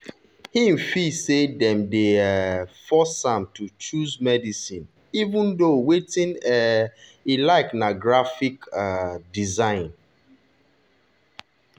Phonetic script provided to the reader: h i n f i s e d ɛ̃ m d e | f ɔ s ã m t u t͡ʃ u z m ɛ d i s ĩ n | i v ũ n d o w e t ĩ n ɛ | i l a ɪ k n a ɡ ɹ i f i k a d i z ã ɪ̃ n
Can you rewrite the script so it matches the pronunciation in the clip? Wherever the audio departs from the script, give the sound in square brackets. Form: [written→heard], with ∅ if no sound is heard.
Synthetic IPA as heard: h i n f i s e d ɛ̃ m d e | f ɔ s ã m t u t͡ʃ u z m ɛ d i s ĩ n | i v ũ n d o w e t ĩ n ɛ | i l a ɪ k n a ɡ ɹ [i→a] f i k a d i z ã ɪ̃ n